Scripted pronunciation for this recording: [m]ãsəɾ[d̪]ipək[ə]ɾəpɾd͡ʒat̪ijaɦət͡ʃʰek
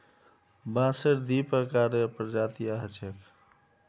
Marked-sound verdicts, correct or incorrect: incorrect: b, correct, incorrect: a

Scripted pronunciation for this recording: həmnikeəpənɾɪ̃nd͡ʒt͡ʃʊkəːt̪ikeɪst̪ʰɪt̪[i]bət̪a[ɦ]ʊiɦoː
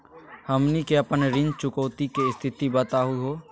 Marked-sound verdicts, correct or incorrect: correct, correct

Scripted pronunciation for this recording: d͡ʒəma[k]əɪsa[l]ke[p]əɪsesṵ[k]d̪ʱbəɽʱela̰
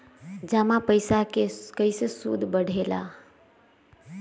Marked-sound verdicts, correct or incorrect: incorrect: p, incorrect: none, incorrect: k, incorrect: none

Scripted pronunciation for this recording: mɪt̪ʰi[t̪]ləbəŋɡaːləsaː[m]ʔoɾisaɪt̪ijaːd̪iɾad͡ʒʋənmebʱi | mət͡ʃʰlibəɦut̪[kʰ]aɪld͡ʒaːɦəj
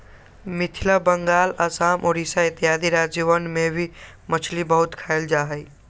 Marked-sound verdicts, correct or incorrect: incorrect: none, correct, correct

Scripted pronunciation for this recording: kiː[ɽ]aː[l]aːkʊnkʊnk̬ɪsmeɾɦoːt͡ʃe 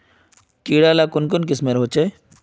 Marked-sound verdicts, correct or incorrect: correct, correct

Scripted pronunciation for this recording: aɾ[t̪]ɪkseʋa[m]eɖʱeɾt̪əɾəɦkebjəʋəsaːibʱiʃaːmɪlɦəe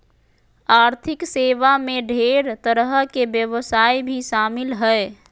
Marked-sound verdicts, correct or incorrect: incorrect: t̪ʰ, correct

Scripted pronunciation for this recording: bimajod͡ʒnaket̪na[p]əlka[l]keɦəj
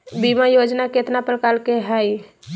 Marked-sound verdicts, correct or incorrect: correct, correct

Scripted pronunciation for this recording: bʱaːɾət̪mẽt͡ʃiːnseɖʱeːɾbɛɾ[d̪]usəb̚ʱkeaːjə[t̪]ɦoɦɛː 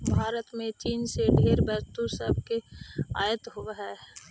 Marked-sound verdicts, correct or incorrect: incorrect: t̪, correct

